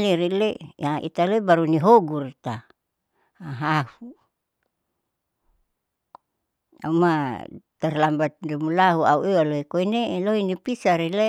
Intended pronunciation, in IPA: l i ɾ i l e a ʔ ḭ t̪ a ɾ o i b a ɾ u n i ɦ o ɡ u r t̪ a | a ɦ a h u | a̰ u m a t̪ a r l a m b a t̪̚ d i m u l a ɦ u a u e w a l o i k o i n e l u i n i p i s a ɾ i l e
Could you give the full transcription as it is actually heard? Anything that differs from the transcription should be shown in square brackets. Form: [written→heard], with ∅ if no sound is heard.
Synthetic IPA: l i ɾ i l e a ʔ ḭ t̪ a [ɾ→l] o i b a ɾ u n i ɦ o ɡ u r t̪ a | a ɦ a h u | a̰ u m a t̪ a r l a m b a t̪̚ d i m u l a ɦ u a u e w a l o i k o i n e l [u→o] i n i p i s a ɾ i l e